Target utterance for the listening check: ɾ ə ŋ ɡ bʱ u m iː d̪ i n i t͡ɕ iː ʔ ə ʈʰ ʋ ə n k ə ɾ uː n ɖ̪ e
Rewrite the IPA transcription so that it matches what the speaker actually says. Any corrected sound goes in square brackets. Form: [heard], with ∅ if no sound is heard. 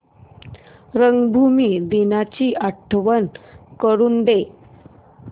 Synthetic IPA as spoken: ɾ ə ŋ ɡ bʱ u m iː d̪ i n [a] t͡ɕ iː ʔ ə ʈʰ ʋ ə n k ə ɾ uː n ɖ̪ e